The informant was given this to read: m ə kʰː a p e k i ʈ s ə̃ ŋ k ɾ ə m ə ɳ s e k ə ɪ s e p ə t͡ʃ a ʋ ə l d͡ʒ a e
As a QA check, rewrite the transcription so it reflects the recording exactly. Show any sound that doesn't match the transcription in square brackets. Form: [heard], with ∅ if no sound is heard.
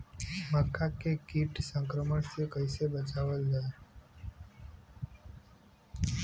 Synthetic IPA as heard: m ə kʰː a [k] e k i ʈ s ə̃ ŋ k ɾ ə m ə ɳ s e k ə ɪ s e [b] ə t͡ʃ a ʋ ə l d͡ʒ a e